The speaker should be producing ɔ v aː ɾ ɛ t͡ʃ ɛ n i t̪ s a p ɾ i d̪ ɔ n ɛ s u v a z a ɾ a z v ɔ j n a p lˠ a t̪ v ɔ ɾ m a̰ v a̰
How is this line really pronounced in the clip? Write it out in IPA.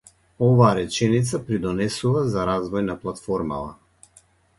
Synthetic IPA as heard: ɔ v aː ɾ ɛ t͡ʃ ɛ n i t̪ s a p ɾ i d̪ ɔ n ɛ s u v a z a ɾ a z v ɔ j n a p lˠ a t̪ f ɔ ɾ m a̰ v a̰